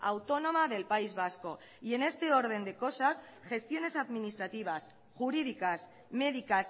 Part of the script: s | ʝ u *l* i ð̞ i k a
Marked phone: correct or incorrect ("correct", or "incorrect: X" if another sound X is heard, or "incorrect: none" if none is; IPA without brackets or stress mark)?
incorrect: ɾ